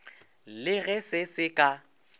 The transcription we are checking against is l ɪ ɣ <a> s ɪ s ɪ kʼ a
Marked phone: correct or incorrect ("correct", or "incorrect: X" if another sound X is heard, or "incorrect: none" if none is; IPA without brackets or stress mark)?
incorrect: ɛ